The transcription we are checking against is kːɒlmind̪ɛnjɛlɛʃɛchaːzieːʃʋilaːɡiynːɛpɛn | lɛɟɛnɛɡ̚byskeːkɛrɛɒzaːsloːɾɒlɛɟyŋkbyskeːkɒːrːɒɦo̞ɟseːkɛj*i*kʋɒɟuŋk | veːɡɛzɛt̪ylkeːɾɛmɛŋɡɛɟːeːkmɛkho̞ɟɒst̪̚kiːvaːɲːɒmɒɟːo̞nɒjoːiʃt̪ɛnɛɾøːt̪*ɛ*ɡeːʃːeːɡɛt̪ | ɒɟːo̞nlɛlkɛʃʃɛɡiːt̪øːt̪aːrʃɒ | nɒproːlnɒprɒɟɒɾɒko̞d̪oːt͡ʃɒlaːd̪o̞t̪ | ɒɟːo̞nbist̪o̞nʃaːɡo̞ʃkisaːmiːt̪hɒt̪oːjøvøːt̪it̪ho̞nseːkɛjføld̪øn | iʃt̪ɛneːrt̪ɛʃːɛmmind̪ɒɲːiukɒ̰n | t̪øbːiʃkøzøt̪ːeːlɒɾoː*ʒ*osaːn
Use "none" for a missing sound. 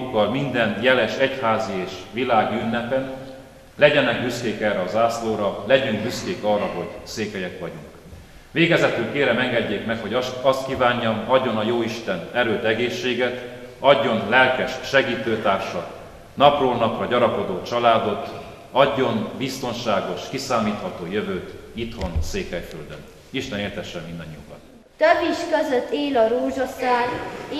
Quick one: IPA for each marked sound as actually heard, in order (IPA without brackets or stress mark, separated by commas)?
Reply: ɛ, ɛ, ʒ